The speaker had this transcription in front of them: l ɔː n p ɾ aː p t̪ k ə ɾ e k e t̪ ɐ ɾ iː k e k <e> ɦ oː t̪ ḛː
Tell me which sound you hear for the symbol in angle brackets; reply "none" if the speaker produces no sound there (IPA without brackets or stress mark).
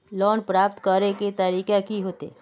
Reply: i